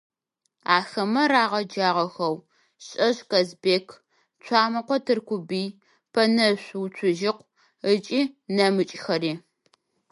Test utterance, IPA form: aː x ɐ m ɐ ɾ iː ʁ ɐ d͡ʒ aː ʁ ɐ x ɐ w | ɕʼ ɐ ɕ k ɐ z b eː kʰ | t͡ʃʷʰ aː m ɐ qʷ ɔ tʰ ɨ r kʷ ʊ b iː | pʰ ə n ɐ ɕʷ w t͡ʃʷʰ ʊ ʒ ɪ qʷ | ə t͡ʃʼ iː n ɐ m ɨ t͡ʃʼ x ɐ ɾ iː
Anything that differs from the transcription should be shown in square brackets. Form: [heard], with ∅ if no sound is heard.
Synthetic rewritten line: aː x ɐ m ɐ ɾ [aː] ʁ ɐ d͡ʒ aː ʁ ɐ x ɐ w | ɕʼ ɐ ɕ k ɐ z b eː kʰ | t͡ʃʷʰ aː m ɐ qʷ ɔ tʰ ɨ r kʷ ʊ b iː | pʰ [ɐ] n ɐ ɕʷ w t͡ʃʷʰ ʊ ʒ ɪ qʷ | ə t͡ʃʼ iː n ɐ m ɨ t͡ʃʼ x ɐ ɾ iː